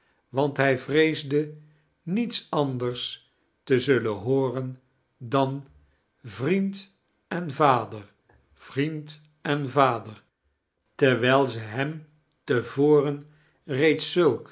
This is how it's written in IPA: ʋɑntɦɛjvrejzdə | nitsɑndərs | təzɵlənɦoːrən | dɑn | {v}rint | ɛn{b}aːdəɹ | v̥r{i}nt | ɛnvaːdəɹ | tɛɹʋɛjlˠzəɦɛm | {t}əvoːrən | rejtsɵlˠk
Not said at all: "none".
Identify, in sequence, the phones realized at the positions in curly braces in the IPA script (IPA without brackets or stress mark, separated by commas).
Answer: v, v, i, t